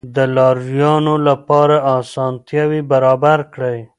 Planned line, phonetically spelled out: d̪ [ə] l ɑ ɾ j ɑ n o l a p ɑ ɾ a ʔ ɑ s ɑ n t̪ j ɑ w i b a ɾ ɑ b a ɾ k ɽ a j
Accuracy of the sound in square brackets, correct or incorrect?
correct